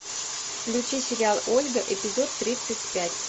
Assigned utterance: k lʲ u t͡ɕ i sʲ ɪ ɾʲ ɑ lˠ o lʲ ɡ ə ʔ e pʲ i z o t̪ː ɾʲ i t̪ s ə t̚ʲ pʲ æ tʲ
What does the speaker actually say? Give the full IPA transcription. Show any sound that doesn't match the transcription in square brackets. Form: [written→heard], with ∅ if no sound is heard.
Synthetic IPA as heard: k lʲ u t͡ɕ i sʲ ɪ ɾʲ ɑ lˠ o lʲ ɡ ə ʔ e pʲ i z o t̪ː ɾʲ i t̪ s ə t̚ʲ pʲ æ tʲ